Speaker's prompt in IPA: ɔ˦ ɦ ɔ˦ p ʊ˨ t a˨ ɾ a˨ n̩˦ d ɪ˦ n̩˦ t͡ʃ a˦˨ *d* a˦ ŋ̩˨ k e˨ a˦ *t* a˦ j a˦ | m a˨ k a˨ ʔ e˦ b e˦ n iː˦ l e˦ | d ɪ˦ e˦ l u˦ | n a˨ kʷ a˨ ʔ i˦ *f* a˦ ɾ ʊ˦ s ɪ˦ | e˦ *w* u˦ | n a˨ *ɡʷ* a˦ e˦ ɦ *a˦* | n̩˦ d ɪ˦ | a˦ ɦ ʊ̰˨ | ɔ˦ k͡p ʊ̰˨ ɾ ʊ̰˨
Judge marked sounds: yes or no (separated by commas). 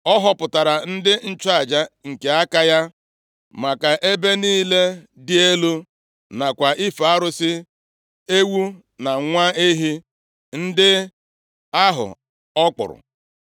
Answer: no, no, yes, yes, no, no